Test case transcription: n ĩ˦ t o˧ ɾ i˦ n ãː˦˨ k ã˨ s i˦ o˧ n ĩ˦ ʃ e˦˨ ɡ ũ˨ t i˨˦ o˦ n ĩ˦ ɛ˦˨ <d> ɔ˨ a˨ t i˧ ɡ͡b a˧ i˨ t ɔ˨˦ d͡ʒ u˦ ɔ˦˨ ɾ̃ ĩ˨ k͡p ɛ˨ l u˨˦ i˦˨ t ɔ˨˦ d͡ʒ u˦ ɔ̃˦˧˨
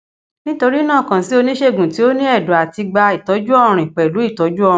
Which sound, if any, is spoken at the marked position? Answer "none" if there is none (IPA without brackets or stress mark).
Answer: d